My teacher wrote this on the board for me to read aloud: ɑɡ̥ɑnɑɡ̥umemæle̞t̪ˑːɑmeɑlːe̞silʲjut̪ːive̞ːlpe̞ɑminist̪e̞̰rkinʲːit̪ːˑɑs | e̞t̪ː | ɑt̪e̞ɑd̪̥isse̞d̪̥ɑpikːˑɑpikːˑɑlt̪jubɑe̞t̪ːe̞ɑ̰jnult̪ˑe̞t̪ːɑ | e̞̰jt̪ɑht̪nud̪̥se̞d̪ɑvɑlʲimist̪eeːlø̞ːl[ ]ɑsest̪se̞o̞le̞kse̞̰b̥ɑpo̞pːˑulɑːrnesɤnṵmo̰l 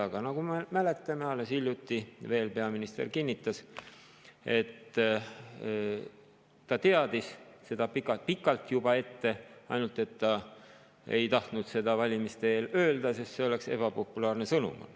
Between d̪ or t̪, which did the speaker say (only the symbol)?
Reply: d̪